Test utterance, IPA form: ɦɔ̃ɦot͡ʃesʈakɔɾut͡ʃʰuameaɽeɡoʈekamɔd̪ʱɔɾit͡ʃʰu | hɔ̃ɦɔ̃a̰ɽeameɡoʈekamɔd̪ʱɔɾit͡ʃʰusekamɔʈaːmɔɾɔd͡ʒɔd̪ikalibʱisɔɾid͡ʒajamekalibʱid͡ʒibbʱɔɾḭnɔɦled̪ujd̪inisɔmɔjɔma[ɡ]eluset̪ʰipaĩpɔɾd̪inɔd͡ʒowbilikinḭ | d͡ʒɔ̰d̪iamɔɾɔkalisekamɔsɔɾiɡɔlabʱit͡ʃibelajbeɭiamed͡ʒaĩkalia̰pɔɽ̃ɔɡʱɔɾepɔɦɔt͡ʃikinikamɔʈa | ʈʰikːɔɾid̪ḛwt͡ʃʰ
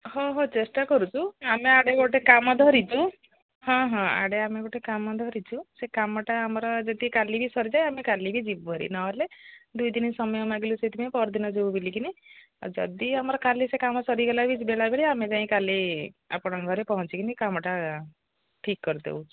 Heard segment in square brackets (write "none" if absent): ɡ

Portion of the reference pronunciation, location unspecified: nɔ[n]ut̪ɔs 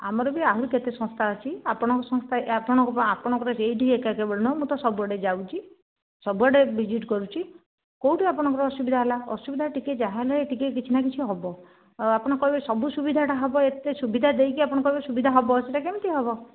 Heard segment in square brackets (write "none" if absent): m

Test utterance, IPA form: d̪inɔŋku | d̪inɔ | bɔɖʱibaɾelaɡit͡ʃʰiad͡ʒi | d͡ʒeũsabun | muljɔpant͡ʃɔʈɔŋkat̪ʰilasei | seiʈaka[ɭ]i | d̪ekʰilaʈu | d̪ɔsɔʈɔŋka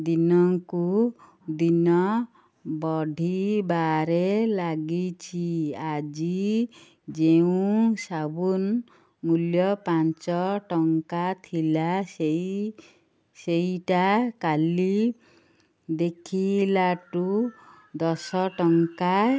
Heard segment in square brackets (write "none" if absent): l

